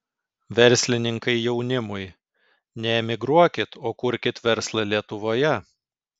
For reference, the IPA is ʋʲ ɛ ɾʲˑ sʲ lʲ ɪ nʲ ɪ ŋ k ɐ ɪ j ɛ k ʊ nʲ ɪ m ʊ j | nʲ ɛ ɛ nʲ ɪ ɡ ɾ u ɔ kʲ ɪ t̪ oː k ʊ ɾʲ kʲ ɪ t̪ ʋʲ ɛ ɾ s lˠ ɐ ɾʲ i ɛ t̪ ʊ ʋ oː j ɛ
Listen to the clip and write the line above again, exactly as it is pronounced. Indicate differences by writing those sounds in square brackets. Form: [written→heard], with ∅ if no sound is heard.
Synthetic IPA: ʋʲ ɛ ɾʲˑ sʲ lʲ ɪ nʲ ɪ ŋ k ɐ ɪ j ɛ [k→∅] ʊ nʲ ɪ m ʊ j | nʲ ɛ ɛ [nʲ→mʲ] ɪ ɡ ɾ u ɔ kʲ ɪ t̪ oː k ʊ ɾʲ kʲ ɪ t̪ ʋʲ ɛ ɾ s lˠ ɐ [ɾʲ→lʲ] i ɛ t̪ ʊ ʋ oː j ɛ